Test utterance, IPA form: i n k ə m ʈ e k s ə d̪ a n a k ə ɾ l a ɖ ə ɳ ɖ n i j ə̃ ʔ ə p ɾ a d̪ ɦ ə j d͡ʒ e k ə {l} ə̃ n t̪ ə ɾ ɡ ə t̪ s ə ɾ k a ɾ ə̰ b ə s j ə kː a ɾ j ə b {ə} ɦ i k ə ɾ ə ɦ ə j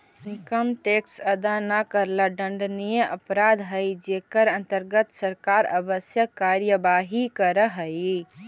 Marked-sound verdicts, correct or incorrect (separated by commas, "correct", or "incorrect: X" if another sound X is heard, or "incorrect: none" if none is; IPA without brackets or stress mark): incorrect: ɾ, incorrect: a